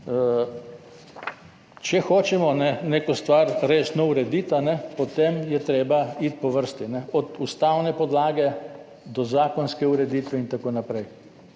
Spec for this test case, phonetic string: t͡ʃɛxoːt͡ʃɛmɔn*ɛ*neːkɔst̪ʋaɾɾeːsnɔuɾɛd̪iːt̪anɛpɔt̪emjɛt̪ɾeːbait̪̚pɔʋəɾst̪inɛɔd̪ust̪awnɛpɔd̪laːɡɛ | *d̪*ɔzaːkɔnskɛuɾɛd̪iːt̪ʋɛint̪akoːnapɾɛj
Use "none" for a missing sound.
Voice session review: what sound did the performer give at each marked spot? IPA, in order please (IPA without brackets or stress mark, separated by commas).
ɛ, d̪